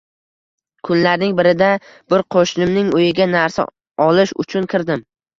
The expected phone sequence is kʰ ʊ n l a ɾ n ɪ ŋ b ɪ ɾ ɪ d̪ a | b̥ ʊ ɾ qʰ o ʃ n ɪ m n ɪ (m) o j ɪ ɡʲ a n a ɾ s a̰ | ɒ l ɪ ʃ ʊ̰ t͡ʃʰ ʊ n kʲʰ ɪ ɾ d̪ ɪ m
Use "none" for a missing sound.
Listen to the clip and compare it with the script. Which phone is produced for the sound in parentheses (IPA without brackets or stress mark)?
ŋ